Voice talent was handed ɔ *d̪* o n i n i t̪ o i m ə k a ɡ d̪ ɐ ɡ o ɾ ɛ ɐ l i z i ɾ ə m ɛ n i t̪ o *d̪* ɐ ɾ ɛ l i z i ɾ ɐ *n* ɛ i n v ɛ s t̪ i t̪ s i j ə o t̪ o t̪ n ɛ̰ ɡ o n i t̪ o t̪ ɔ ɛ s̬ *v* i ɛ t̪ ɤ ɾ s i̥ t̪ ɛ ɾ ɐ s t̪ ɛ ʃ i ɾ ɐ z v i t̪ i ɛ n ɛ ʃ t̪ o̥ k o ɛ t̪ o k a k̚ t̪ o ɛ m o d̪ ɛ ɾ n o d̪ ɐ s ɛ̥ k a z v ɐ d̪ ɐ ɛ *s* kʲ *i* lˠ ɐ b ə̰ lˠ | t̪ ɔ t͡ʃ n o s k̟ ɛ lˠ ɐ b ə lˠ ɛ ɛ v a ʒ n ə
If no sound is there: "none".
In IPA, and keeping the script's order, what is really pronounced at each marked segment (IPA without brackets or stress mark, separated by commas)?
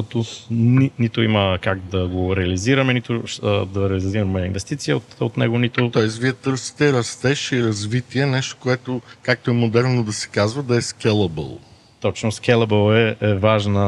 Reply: t̪, d̪, m, v, s, ɛ